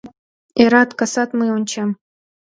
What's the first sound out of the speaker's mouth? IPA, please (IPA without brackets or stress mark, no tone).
e